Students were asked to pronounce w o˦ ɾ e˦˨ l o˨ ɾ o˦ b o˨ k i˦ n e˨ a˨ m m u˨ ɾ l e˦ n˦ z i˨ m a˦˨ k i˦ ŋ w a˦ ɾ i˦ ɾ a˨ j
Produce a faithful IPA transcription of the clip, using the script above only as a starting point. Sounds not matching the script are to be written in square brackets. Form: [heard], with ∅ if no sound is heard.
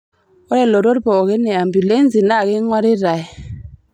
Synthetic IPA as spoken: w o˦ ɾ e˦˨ l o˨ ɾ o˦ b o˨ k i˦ n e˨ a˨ m [b] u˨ [∅] l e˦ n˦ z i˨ [n] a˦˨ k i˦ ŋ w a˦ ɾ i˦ ɾ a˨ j